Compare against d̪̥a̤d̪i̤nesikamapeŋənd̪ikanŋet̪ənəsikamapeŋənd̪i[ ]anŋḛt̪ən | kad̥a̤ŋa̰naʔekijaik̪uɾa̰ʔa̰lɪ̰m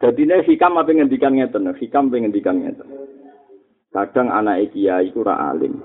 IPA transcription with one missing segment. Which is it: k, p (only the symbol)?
k